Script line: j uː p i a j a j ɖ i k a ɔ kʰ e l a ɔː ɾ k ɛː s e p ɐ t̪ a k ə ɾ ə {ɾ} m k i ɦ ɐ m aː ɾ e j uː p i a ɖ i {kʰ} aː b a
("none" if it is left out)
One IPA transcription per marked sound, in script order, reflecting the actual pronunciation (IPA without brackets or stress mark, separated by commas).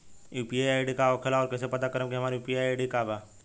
none, k